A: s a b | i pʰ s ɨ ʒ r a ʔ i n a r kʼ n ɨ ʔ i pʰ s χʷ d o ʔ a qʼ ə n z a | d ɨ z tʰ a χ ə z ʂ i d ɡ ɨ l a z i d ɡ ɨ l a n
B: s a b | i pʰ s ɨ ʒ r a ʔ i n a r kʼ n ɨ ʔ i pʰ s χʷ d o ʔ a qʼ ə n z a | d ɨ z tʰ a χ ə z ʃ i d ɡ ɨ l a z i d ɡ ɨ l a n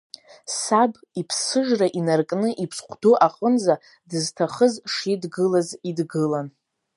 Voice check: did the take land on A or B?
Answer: A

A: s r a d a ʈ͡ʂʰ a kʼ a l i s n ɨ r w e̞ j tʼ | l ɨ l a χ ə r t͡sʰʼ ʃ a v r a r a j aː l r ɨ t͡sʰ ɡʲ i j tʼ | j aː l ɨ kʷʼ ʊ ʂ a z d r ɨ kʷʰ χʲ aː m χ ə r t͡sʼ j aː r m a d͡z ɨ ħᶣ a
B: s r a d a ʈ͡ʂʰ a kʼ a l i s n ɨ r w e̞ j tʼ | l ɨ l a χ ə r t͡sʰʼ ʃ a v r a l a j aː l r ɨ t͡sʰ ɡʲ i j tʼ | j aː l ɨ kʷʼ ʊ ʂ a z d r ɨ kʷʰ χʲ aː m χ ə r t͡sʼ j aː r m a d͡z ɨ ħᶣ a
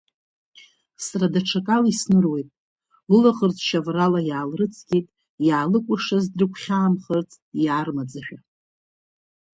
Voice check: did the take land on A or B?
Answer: B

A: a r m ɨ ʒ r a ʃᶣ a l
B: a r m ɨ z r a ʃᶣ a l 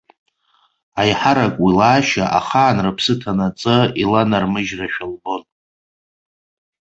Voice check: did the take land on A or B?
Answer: A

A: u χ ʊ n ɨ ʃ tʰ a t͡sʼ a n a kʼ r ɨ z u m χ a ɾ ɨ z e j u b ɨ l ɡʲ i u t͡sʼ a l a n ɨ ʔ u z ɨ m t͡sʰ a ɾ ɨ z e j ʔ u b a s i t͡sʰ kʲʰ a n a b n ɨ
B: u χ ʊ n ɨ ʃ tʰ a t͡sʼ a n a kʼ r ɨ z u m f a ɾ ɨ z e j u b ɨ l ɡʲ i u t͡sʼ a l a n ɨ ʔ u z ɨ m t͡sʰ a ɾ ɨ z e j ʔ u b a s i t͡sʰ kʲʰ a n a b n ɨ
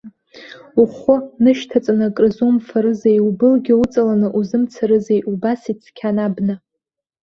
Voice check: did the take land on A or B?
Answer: B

